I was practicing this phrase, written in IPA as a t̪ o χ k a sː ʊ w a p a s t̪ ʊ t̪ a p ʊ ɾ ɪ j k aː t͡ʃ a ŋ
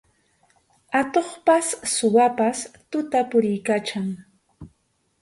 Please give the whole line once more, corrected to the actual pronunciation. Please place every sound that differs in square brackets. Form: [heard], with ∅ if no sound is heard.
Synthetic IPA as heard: a t̪ o χ [p] a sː ʊ w a p a s t̪ ʊ t̪ a p ʊ ɾ ɪ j k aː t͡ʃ a ŋ